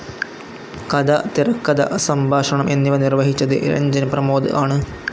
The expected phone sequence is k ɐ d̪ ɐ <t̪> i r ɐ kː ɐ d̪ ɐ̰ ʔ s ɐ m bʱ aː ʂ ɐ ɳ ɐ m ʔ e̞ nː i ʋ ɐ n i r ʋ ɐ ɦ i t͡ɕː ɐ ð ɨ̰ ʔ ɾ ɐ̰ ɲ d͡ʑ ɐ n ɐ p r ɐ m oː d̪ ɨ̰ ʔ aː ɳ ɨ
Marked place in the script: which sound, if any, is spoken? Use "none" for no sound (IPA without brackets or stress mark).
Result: t̪